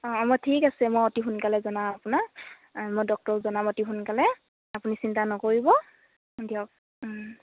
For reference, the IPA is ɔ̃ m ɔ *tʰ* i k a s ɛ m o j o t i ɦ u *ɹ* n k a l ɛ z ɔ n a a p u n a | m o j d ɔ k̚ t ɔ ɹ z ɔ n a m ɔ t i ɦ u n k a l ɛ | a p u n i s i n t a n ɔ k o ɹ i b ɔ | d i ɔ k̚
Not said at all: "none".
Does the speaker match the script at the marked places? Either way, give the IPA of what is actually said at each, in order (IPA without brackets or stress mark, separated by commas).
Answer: tʰ, none